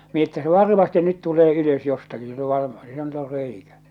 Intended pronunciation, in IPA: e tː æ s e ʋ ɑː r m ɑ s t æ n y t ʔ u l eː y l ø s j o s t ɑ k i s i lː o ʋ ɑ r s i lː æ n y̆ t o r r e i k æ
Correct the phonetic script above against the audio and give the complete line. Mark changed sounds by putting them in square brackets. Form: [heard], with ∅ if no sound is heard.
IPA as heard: e tː æ s e ʋ [ɑ] r m ɑ s t [e] n y t [t] u l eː y l ø s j o s t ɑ k i s i lː o ʋ ɑ r s i lː æ n y̆ t o r r e i k æ